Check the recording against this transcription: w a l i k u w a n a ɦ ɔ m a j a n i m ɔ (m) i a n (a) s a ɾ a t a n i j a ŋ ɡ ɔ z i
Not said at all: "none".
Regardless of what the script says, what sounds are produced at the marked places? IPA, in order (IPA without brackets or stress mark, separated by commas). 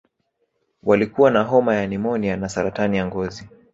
n, a